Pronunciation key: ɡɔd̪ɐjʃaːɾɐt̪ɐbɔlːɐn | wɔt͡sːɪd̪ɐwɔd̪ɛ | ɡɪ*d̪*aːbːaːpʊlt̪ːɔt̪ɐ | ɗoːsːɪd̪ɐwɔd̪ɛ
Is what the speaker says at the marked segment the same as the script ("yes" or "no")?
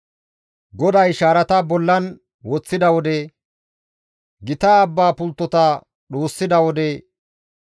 no